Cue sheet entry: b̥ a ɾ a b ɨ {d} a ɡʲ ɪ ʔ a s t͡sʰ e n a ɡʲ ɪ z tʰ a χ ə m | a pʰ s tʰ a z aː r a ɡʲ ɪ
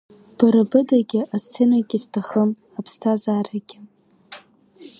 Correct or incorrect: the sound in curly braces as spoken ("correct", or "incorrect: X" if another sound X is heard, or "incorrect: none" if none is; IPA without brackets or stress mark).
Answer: correct